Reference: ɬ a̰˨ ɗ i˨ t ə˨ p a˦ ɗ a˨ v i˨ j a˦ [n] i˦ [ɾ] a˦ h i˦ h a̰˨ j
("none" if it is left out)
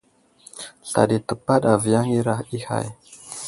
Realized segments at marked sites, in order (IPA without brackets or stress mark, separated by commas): ŋ, ɾ